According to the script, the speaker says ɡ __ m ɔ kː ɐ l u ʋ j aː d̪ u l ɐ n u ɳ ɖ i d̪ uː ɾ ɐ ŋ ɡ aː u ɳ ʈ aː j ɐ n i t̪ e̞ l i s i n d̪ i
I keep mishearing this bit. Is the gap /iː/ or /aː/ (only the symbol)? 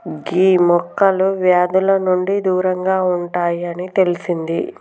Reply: iː